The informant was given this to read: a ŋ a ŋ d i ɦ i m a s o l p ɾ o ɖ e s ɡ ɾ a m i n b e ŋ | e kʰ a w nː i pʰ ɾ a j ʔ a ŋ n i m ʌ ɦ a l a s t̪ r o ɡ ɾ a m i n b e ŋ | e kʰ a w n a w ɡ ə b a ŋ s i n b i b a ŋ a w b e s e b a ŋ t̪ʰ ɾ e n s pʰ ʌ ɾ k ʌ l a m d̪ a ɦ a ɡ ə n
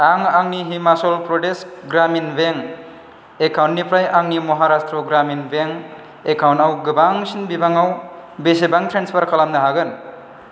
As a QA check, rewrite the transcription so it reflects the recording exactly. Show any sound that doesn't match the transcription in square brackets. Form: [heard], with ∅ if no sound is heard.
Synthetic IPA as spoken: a ŋ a ŋ [n] i ɦ i m a s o l p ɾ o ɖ e s ɡ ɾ a m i n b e ŋ | e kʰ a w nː i [p] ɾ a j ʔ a ŋ n i m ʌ ɦ a [ɾ] a s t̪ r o ɡ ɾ a m i n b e ŋ | e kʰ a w n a w ɡ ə b a ŋ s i n b i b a ŋ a w b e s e b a ŋ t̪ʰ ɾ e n s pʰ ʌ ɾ k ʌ l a m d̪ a ɦ a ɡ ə n